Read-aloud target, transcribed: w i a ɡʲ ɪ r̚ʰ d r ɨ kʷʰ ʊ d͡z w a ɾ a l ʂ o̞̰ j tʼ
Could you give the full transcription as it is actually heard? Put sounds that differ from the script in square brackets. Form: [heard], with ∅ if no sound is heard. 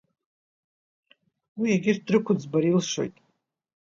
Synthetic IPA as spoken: w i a ɡʲ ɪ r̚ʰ d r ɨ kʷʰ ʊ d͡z [b] a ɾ [i] l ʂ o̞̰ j tʼ